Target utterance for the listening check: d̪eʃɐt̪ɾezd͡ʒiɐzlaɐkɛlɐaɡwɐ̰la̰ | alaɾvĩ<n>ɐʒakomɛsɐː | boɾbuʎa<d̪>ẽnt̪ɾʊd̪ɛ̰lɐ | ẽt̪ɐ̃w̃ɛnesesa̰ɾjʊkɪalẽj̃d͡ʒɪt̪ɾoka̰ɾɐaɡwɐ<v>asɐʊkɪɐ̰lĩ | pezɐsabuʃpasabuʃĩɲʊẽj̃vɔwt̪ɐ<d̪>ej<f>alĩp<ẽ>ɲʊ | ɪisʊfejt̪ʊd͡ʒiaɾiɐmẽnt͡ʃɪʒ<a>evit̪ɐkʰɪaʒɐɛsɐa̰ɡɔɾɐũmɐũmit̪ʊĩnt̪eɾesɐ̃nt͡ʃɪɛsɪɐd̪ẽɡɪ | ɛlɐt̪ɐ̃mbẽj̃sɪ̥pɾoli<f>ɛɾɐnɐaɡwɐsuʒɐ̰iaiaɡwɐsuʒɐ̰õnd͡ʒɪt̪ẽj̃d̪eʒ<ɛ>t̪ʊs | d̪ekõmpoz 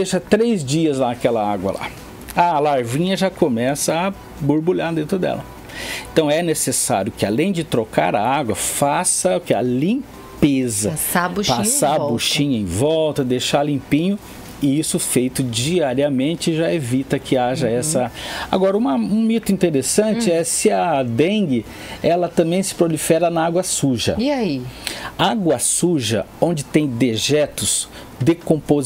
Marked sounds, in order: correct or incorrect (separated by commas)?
incorrect, correct, incorrect, correct, incorrect, incorrect, correct, correct, correct